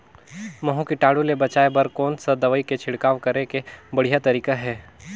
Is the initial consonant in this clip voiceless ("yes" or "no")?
no